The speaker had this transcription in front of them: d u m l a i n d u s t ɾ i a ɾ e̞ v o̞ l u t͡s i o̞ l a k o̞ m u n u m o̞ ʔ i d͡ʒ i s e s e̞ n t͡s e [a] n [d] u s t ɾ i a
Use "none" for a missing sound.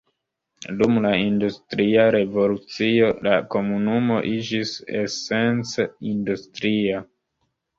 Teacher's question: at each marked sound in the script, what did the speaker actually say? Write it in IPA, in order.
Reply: i, d

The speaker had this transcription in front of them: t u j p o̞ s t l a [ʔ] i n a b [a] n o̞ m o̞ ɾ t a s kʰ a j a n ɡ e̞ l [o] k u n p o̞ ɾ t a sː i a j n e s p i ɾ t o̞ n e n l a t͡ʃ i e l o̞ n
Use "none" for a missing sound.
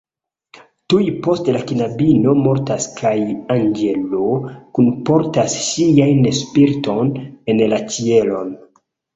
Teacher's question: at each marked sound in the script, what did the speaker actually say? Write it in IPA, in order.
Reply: k, i, o

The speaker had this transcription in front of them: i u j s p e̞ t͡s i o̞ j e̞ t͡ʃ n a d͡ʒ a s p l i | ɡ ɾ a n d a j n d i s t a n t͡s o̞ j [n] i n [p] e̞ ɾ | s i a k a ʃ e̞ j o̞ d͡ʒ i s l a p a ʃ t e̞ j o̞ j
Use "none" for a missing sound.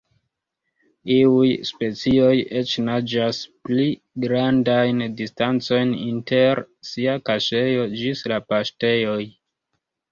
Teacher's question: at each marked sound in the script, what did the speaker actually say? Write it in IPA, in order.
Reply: n, t

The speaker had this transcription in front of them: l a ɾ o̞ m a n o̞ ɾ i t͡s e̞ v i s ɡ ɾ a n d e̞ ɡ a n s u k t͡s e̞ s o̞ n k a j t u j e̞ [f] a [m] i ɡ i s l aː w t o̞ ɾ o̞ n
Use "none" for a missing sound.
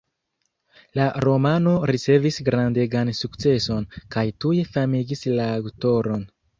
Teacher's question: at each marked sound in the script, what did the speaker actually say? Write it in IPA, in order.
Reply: f, m

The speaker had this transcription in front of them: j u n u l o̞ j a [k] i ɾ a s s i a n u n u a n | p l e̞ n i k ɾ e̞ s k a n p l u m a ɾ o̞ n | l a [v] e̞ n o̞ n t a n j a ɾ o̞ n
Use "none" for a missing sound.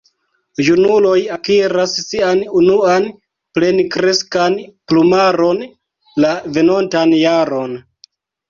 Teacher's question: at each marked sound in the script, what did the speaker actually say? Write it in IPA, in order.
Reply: k, v

